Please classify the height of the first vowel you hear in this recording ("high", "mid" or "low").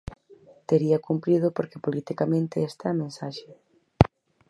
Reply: mid